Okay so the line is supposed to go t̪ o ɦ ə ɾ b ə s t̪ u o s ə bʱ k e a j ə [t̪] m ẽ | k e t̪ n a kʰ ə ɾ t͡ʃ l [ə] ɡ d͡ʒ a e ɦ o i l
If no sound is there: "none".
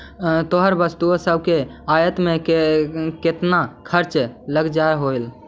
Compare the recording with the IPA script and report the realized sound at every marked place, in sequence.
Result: t̪, ə

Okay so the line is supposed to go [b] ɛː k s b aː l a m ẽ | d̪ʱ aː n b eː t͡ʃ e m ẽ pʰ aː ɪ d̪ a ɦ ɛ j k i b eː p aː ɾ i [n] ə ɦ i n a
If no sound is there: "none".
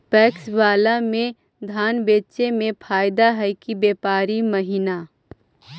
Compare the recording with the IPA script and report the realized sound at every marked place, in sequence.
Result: p, m

